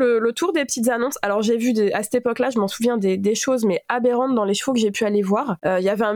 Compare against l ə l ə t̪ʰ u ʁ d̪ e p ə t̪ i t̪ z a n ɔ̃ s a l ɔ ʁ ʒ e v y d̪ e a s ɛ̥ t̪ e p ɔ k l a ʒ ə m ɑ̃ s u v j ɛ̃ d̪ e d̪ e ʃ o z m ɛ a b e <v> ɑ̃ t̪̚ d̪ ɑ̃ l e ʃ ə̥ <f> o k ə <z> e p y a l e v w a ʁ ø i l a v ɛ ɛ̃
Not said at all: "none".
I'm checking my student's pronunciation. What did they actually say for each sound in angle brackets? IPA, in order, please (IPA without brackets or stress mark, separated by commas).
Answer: ʁ, f, ʒ